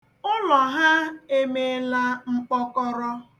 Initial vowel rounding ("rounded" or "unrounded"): rounded